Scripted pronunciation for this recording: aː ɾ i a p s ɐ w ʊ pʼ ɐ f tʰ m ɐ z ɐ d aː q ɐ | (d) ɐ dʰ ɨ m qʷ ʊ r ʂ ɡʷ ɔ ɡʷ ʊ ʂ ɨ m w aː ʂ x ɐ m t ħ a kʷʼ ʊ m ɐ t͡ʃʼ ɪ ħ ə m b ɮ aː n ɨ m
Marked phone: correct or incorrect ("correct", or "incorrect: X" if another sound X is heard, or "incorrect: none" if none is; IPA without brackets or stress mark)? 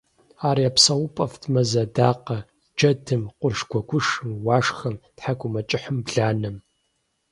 incorrect: d͡ʒ